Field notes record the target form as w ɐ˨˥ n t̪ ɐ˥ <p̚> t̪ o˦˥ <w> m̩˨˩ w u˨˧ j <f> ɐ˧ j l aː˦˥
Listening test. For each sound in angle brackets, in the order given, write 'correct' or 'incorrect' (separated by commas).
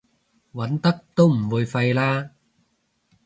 incorrect, correct, correct